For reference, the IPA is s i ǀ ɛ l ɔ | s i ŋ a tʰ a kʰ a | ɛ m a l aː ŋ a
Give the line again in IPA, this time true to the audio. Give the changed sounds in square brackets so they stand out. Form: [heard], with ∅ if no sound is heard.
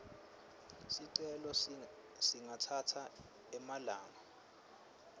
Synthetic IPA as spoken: s i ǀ ɛ l ɔ | s i ŋ a tʰ a [tʰ] a | ɛ m a l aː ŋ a